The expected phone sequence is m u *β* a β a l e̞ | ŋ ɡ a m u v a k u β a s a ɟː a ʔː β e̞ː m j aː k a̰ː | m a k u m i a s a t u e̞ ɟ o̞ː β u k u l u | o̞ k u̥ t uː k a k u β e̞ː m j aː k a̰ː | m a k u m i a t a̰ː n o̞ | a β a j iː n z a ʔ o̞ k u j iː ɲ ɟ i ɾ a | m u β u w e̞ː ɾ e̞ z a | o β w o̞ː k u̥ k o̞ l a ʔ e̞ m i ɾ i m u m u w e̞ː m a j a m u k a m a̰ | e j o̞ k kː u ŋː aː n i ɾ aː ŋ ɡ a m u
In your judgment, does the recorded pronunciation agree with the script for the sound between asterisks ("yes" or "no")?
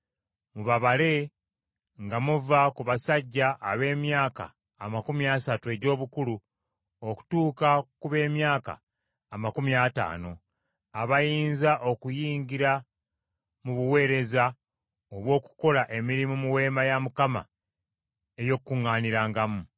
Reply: yes